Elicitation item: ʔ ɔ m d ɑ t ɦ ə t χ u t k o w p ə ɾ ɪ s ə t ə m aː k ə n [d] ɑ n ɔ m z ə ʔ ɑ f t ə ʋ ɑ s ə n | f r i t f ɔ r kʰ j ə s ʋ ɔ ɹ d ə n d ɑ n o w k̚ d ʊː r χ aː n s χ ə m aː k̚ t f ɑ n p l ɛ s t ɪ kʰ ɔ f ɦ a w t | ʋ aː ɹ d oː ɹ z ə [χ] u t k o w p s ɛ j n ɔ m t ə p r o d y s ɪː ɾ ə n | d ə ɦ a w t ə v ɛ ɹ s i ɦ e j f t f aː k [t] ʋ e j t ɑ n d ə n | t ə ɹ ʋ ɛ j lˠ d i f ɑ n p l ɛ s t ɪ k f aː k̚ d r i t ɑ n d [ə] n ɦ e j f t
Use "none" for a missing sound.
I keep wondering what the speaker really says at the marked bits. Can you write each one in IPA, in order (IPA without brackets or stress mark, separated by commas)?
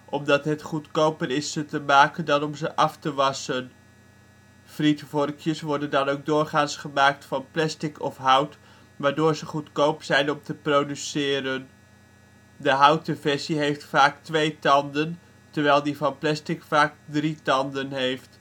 d, χ, t, ə